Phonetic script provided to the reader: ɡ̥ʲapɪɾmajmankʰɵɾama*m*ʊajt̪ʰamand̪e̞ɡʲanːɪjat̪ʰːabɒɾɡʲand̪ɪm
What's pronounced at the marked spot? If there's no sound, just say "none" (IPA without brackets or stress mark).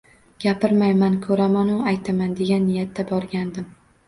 n